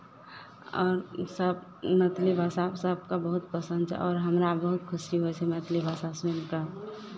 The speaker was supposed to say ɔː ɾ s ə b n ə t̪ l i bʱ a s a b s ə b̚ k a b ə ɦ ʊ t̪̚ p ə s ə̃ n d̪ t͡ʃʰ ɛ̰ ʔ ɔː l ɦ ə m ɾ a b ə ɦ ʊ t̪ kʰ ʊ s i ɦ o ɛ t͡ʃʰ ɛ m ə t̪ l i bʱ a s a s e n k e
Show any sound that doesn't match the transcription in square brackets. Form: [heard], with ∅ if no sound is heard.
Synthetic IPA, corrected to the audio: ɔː ɾ s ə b n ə t̪ l i bʱ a s a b s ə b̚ k a b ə ɦ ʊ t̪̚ p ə s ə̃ n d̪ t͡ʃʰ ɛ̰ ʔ ɔː [ɾ] ɦ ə m ɾ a b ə ɦ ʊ t̪ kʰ ʊ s i ɦ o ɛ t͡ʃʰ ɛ m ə t̪ l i bʱ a s a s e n k [a]